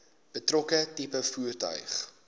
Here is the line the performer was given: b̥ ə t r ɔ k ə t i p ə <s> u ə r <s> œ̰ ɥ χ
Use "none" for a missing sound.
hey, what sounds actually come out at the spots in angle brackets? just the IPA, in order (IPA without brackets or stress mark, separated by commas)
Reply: f, t